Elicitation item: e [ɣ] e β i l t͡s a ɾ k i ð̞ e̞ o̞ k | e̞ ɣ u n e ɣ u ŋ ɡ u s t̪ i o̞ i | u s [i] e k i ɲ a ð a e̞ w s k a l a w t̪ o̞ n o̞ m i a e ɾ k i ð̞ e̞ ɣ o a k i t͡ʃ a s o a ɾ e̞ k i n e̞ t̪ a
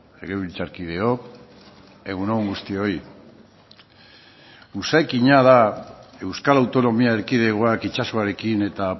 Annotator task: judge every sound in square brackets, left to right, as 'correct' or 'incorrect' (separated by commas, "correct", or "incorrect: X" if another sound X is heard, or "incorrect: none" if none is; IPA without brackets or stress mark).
correct, incorrect: a